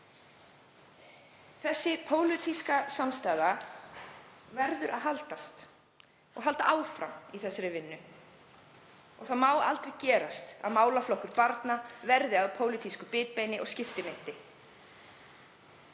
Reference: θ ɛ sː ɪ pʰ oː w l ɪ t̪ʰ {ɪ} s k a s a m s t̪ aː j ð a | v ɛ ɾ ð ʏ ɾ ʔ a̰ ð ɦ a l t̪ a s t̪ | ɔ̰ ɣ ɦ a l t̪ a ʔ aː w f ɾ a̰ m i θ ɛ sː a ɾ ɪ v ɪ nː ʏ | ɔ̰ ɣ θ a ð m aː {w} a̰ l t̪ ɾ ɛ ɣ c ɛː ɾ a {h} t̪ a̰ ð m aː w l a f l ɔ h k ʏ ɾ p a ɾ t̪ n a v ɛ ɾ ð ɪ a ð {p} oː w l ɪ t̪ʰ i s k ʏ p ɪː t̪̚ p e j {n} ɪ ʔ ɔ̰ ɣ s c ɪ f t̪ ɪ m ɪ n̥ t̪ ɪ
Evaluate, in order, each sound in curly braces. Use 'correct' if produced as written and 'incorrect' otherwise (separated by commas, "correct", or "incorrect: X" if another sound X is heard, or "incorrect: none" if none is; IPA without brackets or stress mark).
incorrect: i, correct, incorrect: s, incorrect: pʰ, correct